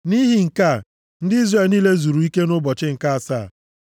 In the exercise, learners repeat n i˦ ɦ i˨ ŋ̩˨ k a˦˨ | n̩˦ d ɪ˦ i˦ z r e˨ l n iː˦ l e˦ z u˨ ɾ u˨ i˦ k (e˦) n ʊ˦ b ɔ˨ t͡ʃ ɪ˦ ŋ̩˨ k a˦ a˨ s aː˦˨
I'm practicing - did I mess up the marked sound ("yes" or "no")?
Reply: no